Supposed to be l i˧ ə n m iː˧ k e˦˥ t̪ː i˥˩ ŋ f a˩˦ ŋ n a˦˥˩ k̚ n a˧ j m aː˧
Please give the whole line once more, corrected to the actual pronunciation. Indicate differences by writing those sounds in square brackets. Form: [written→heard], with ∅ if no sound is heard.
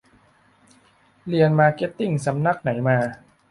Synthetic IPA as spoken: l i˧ ə n m [iː˧→aː˧] k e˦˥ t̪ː i˥˩ ŋ [f→s] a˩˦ [ŋ→m] n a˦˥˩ k̚ n [a˧→a˩˦] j m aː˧